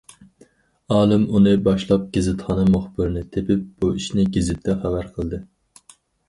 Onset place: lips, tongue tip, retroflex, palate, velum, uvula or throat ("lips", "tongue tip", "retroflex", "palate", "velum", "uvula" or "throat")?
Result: tongue tip